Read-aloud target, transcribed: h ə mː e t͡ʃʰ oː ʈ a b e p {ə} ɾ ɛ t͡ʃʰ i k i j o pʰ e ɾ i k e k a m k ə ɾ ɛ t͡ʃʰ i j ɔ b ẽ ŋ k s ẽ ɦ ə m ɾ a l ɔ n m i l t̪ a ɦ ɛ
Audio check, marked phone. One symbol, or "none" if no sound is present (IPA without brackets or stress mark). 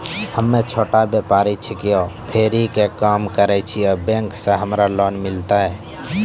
a